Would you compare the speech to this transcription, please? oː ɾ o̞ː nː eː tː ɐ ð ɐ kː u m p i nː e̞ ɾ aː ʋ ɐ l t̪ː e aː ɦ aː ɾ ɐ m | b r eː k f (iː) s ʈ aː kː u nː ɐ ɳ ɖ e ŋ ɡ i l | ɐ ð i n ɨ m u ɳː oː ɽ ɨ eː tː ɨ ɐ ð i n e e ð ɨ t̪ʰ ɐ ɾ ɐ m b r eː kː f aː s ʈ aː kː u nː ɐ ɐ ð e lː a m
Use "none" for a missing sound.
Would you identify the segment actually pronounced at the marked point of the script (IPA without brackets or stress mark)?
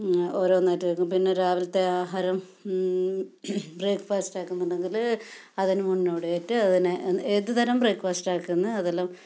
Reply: aː